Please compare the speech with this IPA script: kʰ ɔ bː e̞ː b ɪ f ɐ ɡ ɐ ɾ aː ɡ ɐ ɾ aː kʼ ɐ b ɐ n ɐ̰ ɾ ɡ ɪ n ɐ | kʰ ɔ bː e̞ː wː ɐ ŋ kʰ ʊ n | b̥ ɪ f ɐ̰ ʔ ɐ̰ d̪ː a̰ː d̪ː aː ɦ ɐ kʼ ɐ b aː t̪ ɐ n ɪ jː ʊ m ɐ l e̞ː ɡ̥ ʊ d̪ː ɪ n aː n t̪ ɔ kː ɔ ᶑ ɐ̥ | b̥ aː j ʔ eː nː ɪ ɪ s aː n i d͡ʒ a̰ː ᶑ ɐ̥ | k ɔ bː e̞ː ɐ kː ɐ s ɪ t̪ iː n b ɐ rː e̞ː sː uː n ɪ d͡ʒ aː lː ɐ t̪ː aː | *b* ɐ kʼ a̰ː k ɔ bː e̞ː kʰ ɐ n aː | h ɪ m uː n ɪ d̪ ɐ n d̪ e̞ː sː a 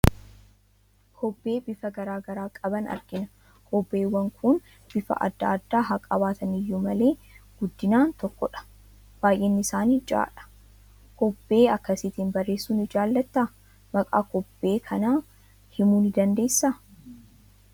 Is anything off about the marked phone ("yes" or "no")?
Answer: yes